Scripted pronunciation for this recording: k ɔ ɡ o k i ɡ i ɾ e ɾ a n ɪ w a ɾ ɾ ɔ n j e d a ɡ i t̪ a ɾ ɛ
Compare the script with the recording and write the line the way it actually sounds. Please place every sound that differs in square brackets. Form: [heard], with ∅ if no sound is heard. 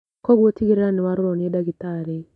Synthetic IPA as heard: k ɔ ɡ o [t] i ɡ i ɾ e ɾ a n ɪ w a ɾ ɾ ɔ n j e d a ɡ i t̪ a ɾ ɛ

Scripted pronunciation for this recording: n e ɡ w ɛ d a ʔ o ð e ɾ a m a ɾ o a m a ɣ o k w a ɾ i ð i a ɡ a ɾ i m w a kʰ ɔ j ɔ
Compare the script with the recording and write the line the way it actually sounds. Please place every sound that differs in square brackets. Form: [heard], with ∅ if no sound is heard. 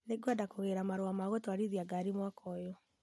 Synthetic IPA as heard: n e ɡ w [a] d a [k] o [ɣ] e ɾ a m a ɾ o a m a ɣ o [t] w a ɾ i ð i a ɡ a ɾ i m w a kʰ ɔ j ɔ

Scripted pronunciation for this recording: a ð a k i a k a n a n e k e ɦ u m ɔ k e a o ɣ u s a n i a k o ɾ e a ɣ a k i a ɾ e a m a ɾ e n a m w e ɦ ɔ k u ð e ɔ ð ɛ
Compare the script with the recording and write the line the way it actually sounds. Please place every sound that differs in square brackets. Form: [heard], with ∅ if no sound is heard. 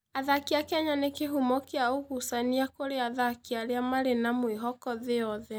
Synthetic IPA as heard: a ð a k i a k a [ɲ] a n e k e ɦ u m ɔ k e a o ɣ u s a n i a k o ɾ e a [ð] a k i a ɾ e a m a ɾ e n a m w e ɦ ɔ k [ɔ] ð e ɔ ð ɛ

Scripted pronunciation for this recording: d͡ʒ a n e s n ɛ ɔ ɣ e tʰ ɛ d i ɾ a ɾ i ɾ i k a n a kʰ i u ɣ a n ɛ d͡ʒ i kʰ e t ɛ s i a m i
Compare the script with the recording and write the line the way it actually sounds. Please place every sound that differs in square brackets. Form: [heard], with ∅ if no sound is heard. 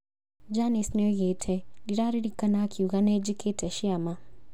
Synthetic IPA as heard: d͡ʒ a n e s n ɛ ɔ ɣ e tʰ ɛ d i ɾ a ɾ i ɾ i k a n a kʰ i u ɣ a n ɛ d͡ʒ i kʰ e t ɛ [ʃ] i a m [a]

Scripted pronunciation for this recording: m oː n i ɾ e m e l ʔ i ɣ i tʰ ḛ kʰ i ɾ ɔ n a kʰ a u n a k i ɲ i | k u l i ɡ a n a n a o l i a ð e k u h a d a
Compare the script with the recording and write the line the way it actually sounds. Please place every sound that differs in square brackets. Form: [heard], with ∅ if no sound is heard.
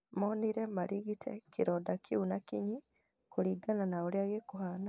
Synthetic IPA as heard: m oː n i ɾ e m [a] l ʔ i ɣ i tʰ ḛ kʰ i ɾ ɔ [d] a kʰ [i] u n a k i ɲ i | k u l i ɡ a n a n a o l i a [ɣ] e k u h a [n] a

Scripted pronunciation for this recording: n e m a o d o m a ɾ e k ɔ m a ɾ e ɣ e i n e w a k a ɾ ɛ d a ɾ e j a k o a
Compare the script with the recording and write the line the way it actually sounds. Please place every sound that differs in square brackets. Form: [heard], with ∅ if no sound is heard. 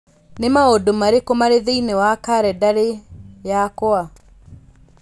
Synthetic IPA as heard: n e m a o d o m a ɾ e k [o] m a ɾ e [ð] e i n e w a k a ɾ ɛ d a ɾ e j a k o a

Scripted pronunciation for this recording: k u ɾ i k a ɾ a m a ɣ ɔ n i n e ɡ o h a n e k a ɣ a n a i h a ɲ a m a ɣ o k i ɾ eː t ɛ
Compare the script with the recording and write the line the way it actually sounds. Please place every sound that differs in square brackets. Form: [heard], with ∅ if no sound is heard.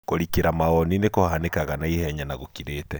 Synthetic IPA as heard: k [o] ɾ i k [e] ɾ a m a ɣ ɔ n i n e [k] o h a n e k a ɣ a n a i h [ɛ] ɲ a [n] a ɣ o k i ɾ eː t ɛ

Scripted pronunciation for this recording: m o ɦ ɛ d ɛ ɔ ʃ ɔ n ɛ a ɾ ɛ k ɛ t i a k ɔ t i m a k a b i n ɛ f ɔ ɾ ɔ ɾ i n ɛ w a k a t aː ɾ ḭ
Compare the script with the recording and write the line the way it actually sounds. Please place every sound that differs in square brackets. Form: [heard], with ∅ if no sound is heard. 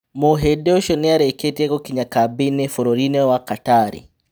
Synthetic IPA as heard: m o ɦ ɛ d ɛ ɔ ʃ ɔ n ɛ a ɾ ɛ k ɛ t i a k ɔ [k] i [ɲ] a k a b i n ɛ f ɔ ɾ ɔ ɾ i n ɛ w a k a t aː ɾ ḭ

